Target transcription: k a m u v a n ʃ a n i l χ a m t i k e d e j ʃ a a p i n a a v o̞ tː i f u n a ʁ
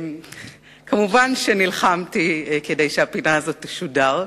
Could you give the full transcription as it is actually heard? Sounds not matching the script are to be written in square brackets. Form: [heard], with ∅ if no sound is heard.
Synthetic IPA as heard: k a m u v a n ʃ [e] n i l χ a m t i k e d e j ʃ [e] a p i n a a [z] o̞ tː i [ʃ] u [d] a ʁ